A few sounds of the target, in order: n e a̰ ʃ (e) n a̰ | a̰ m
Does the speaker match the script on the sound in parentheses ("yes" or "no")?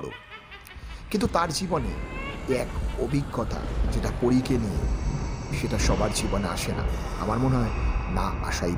yes